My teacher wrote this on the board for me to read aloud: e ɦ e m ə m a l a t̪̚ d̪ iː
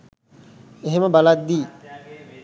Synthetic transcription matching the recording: e ɦ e m ə b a l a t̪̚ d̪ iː